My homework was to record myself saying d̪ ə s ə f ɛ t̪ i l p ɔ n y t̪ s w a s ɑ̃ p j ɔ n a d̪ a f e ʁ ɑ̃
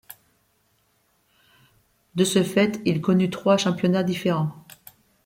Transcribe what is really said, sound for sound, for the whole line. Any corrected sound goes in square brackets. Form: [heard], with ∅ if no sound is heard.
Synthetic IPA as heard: d̪ ə s ə f ɛ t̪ i l [k] ɔ n y t̪ [χ] w a [ʃ] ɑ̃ p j ɔ n a d̪ [i] f e ʁ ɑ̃